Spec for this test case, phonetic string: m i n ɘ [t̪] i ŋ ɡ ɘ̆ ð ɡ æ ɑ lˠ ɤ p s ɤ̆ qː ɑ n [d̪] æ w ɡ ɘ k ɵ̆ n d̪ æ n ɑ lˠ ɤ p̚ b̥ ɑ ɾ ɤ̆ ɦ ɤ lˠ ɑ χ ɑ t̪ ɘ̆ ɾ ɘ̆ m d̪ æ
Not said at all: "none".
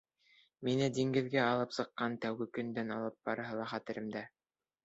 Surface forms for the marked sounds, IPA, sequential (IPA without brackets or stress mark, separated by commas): d̪, t̪